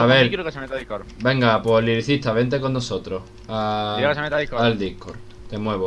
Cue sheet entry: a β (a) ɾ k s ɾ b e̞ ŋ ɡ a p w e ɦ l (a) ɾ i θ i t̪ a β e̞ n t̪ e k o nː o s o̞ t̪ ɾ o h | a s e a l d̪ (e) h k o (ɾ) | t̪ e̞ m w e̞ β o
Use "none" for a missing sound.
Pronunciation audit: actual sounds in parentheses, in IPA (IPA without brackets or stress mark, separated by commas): e, i, i, ɾ